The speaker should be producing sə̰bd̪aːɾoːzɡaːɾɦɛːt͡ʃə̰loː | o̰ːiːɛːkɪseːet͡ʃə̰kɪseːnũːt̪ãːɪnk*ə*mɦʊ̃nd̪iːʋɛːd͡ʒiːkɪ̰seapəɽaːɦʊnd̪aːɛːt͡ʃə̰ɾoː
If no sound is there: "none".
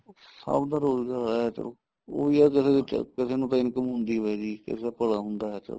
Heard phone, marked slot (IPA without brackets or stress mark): ə